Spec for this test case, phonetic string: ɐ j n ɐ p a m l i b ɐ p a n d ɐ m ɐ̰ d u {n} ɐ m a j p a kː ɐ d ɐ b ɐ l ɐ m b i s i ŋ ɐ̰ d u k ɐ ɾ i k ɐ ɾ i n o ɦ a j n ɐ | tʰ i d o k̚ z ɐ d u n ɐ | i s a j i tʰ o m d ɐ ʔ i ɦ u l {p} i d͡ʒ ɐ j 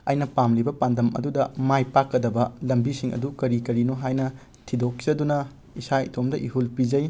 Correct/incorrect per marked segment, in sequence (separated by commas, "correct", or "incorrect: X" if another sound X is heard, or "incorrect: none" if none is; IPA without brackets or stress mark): incorrect: d, correct